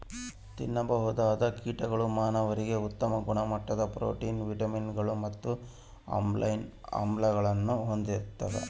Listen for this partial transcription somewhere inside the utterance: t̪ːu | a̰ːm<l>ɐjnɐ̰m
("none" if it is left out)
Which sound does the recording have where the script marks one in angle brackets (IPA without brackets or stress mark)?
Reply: l